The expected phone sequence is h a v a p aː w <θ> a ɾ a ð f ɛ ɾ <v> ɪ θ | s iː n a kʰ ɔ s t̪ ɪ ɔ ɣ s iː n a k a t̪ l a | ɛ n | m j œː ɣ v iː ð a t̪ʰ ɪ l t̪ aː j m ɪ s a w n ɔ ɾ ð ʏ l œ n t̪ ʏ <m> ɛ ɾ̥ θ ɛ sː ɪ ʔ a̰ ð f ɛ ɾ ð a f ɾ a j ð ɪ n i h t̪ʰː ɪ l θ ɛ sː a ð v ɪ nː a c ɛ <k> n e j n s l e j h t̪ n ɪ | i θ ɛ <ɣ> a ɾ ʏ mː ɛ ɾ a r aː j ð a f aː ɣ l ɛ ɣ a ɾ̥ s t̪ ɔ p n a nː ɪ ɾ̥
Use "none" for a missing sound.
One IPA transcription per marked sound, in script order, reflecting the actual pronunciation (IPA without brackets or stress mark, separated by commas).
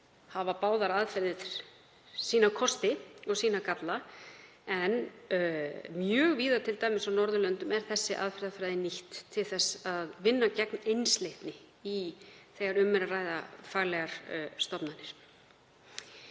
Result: ð, ð, m, k, ɣ